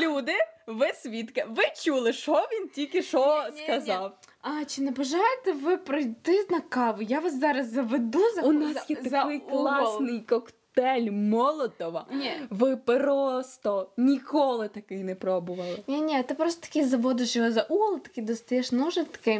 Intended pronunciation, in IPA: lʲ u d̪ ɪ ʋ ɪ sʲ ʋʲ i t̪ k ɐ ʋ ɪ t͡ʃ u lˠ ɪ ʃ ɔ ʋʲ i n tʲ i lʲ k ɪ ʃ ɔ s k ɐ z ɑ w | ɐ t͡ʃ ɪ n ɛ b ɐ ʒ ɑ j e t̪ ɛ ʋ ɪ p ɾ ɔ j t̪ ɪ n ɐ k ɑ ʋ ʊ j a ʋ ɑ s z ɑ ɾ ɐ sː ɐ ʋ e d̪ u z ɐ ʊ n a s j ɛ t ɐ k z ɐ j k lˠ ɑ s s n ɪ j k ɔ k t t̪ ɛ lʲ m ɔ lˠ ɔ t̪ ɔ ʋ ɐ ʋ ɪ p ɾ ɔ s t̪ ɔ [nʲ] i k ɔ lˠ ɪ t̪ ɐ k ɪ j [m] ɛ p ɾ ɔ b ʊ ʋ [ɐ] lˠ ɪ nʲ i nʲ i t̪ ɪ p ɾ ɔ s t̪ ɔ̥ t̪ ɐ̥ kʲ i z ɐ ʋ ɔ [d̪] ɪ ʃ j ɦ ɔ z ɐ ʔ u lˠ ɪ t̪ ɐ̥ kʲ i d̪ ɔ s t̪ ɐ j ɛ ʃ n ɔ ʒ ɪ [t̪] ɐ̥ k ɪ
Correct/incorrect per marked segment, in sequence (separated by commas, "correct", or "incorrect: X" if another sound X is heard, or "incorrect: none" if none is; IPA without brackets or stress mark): correct, incorrect: n, correct, correct, correct